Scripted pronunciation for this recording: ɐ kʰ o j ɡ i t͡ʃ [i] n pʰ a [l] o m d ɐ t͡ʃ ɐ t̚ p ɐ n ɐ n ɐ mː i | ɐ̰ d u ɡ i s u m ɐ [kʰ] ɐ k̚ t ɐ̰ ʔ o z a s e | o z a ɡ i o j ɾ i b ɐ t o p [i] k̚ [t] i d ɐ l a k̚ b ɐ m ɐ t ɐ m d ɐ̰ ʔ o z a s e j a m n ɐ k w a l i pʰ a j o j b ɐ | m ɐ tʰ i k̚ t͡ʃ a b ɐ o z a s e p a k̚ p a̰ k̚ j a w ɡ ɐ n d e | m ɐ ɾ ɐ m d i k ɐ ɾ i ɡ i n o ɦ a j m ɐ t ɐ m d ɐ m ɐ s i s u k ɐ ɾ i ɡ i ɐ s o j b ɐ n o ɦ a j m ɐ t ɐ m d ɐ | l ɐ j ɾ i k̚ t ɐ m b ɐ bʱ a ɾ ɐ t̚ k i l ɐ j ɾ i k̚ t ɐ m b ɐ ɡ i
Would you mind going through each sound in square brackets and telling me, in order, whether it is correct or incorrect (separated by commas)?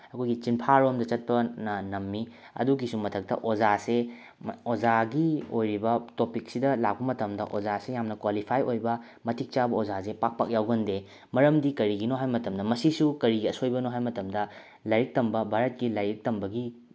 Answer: correct, incorrect, incorrect, correct, incorrect